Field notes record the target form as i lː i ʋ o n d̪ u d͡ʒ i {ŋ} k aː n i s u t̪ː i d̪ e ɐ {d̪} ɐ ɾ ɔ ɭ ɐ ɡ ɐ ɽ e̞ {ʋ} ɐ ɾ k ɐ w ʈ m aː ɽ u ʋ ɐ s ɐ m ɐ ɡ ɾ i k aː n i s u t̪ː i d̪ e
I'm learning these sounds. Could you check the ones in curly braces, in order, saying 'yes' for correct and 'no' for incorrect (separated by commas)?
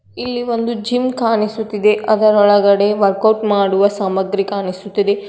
no, yes, yes